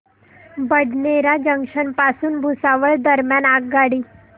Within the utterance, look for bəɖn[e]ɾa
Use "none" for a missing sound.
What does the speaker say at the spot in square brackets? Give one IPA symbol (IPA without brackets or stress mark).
e